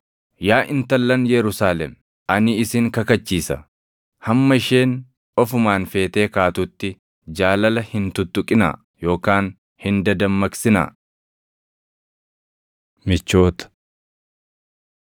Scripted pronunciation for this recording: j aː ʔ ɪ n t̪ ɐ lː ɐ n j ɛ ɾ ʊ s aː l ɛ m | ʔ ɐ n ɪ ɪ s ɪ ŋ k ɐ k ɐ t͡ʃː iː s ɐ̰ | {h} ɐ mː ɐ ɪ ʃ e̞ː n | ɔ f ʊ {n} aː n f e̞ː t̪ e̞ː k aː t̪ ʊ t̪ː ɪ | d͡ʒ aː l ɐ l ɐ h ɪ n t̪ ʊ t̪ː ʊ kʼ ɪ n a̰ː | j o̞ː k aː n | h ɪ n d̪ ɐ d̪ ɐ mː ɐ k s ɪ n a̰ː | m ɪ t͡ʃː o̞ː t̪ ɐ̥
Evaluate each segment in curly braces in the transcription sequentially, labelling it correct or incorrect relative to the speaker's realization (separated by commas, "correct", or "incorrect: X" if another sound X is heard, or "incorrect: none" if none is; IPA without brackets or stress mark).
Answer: correct, incorrect: m